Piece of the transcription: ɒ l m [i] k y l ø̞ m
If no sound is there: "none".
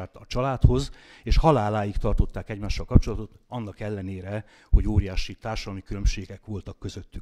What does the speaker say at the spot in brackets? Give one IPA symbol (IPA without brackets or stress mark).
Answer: i